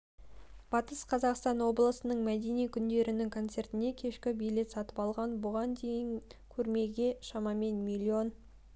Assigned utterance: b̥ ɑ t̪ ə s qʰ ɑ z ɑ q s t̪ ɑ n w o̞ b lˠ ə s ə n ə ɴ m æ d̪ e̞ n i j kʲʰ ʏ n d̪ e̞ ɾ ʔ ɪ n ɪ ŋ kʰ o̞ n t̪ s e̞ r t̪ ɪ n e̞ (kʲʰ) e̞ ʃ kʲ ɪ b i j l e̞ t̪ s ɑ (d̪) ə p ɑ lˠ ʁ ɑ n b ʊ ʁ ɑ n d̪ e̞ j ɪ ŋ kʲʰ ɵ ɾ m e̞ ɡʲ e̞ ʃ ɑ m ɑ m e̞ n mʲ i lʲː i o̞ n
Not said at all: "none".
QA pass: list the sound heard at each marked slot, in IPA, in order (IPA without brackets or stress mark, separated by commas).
kʲʰ, t̪